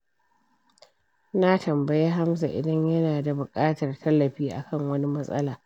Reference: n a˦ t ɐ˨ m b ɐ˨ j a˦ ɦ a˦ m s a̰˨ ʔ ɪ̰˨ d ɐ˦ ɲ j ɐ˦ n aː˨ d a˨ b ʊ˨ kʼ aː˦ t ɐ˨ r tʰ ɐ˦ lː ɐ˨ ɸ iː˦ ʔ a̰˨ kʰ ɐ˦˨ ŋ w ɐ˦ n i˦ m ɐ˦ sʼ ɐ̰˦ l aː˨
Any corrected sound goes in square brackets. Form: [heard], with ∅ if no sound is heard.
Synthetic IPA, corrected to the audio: n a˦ t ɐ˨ m b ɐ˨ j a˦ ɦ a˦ m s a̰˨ ʔ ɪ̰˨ d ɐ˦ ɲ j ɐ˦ n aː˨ d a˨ b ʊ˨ kʼ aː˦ t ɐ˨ r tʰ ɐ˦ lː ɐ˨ ɸ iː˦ ʔ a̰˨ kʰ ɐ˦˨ ŋ w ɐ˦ n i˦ m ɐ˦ sʼ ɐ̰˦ l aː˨